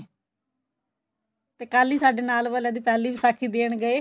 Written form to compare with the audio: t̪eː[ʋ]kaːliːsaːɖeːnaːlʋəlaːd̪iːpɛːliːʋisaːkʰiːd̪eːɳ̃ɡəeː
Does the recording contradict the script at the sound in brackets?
yes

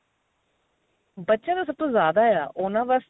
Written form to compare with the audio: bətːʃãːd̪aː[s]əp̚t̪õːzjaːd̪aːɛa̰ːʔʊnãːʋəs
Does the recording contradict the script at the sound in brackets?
no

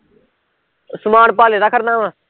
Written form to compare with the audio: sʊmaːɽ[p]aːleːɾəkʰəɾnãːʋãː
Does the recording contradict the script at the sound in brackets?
no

